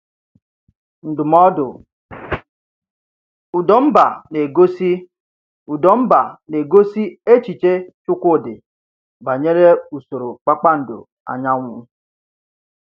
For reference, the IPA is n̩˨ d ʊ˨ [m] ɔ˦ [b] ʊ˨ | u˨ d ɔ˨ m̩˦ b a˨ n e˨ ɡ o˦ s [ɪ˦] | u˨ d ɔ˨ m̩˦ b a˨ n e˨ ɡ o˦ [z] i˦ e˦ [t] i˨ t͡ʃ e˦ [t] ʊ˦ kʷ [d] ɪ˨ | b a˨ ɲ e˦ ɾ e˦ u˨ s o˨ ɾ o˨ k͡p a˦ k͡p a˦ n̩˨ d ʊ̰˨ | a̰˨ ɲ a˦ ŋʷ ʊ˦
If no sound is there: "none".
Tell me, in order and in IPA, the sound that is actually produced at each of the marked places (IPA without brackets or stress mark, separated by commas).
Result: m, d, i˦, s, t͡ʃ, t͡ʃ, d